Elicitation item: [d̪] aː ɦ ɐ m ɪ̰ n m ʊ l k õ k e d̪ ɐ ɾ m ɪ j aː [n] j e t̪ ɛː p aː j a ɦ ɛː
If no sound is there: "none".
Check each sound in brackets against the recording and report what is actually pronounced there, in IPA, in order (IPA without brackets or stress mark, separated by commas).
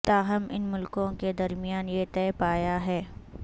t̪, n